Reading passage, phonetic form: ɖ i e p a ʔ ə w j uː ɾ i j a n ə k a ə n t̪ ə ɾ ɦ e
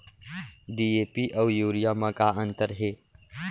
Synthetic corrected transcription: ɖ i e p i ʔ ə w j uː ɾ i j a m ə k a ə n t̪ ə ɾ ɦ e